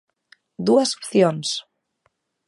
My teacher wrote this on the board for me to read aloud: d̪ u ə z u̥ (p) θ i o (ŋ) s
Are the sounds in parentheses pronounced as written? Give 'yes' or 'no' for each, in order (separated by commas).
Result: yes, no